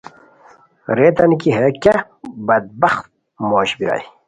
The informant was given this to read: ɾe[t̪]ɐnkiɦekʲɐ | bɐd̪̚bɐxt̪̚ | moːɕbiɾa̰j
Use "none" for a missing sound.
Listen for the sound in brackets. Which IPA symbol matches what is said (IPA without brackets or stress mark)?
t̪